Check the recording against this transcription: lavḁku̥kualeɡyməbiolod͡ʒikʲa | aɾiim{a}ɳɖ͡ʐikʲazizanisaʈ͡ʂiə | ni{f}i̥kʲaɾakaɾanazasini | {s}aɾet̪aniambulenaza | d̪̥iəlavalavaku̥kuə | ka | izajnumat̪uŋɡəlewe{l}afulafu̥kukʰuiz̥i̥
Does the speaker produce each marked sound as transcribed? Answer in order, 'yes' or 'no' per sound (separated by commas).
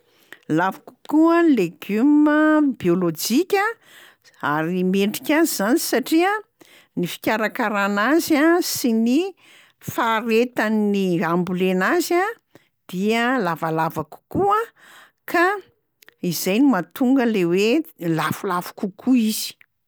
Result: no, yes, no, yes